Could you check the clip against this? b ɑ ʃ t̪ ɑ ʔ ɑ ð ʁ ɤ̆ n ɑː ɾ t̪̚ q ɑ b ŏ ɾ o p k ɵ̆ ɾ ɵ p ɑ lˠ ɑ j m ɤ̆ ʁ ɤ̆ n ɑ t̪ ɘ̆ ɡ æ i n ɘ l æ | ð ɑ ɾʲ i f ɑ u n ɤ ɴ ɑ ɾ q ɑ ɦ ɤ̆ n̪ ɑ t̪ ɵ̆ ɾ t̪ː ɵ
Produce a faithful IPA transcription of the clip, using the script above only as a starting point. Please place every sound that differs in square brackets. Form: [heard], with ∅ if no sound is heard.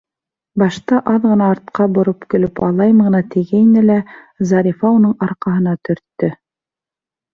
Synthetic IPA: b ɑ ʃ t̪ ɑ ʔ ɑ ð ʁ ɤ̆ n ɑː ɾ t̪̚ q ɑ b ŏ ɾ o p k ɵ̆ [l] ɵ p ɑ lˠ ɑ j m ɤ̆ ʁ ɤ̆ n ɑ t̪ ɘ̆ ɡ æ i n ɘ l æ | [z] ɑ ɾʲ i f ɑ u n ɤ ɴ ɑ ɾ q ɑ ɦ ɤ̆ n̪ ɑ t̪ ɵ̆ ɾ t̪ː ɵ